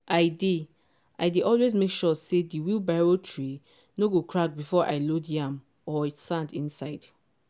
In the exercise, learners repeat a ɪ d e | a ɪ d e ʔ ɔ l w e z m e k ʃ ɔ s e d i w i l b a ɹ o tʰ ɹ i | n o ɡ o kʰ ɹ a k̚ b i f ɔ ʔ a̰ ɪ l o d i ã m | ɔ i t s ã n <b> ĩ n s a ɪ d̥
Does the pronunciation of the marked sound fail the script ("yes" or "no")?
yes